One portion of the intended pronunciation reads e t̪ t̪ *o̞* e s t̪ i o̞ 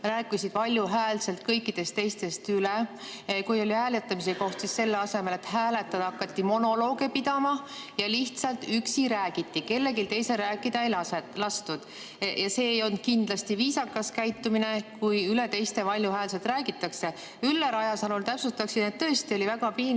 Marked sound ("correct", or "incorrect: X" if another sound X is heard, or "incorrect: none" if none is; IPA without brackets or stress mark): incorrect: ɤ̞